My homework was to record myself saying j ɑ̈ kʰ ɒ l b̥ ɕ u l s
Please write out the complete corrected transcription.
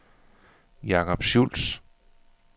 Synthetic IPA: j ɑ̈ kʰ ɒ b̥ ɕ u l s